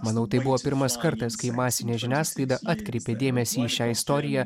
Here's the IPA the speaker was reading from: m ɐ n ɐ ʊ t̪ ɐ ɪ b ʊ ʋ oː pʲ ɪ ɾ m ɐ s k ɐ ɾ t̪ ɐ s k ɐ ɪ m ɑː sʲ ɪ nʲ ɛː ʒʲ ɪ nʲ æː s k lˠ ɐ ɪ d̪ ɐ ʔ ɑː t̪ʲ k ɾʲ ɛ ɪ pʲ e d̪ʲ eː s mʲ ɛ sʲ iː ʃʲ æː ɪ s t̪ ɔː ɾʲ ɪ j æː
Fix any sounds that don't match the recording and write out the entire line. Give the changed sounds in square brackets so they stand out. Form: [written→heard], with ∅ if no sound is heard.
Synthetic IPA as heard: m ɐ n ɐ ʊ t̪ ɐ ɪ b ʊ ʋ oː pʲ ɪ ɾ m ɐ s k ɐ ɾ t̪ ɐ s k ɐ ɪ m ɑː sʲ ɪ nʲ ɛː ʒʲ ɪ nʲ æː s k lˠ ɐ ɪ d̪ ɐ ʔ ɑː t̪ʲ k ɾʲ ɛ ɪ pʲ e d̪ʲ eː [s→∅] mʲ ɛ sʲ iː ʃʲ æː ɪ s t̪ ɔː ɾʲ ɪ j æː